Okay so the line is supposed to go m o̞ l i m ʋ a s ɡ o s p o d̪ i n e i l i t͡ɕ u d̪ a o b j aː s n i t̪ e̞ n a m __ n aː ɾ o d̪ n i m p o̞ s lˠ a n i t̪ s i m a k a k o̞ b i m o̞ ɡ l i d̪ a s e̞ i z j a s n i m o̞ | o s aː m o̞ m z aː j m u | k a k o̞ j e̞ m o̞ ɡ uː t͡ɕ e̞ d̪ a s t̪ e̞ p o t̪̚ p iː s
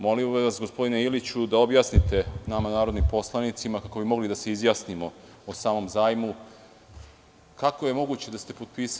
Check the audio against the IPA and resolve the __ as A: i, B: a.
B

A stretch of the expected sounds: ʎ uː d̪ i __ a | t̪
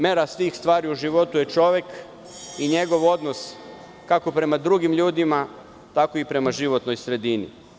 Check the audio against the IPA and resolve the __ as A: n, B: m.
B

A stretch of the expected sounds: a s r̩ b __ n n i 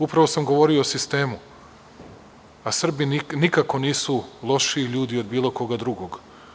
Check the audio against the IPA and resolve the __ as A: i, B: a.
A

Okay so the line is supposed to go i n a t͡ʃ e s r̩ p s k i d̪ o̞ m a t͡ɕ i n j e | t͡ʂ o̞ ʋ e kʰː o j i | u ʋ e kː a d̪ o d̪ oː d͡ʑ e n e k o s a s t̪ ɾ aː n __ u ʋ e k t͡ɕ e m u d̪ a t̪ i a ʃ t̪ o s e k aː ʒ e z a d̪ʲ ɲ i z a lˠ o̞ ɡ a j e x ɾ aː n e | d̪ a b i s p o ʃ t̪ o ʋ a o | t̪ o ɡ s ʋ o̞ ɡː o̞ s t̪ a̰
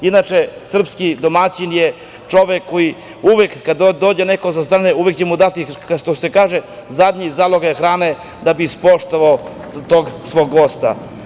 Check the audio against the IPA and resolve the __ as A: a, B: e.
B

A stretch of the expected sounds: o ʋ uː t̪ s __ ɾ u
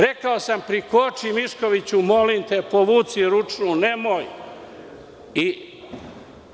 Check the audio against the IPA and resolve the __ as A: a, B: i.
B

